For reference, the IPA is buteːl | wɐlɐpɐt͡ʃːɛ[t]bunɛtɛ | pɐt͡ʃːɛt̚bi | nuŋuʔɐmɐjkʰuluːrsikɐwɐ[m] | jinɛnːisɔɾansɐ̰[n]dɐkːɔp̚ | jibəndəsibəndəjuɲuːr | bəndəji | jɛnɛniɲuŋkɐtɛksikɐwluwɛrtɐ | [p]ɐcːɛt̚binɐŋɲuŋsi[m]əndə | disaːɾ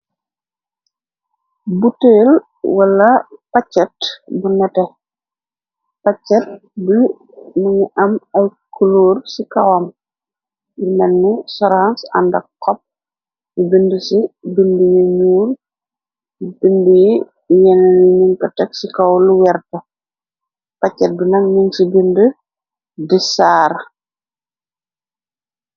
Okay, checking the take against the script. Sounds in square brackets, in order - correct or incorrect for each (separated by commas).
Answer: correct, correct, correct, correct, incorrect